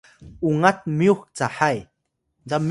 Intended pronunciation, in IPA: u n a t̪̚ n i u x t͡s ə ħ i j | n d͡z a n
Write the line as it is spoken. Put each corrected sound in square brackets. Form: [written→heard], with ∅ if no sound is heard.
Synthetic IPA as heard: u [n→ŋ] a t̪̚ [n→m] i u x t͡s [ə→a] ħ [i→a] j | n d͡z a [n→m]